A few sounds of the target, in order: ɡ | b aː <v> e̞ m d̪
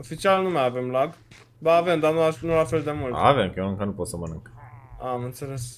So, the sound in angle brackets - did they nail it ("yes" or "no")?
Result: yes